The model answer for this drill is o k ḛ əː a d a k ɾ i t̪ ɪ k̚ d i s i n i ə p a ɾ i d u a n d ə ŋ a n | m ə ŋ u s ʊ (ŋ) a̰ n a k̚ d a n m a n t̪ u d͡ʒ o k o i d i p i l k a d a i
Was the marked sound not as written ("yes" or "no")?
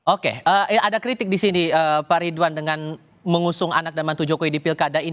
no